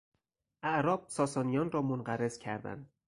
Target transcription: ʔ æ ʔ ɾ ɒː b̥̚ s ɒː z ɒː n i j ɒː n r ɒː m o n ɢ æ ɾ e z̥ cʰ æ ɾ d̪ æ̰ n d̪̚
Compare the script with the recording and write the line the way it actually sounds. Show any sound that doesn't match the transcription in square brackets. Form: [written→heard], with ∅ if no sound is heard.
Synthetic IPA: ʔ æ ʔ ɾ ɒː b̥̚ s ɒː [z→s] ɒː n i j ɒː n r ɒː m o n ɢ æ ɾ e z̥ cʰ æ ɾ d̪ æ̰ n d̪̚